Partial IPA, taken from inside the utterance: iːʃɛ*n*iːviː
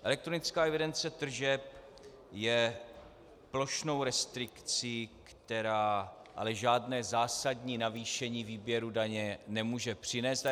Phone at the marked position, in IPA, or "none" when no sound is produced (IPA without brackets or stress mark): ɲ